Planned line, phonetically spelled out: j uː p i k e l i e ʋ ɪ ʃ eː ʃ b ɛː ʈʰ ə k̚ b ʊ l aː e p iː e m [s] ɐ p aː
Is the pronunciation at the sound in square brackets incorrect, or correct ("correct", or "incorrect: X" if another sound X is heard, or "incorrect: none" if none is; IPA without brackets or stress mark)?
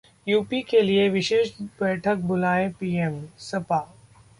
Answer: correct